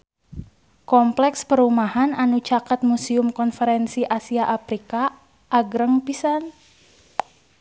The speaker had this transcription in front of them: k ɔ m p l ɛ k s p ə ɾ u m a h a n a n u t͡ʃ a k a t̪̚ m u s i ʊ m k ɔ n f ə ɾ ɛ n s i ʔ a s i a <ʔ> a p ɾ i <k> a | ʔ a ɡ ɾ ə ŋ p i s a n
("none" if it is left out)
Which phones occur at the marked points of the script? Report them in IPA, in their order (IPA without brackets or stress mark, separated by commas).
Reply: ʔ, k